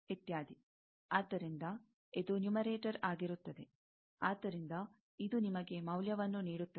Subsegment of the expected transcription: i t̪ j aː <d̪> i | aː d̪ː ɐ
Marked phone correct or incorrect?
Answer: correct